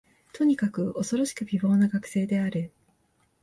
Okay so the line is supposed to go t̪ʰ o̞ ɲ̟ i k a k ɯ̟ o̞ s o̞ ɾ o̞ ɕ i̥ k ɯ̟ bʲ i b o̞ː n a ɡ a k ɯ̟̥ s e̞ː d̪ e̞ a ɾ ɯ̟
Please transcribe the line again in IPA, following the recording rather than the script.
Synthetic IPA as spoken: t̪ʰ o̞ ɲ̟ i k a k ɯ̟ o̞ s o̞ ɾ o̞ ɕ i̥ k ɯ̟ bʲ i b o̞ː n a ɡ a k ɯ̟̥ s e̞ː d̪ e̞ a ɾ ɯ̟